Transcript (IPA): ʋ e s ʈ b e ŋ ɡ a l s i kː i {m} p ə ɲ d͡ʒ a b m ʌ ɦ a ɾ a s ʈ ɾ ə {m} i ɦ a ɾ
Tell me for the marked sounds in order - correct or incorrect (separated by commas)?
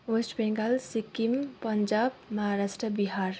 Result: correct, incorrect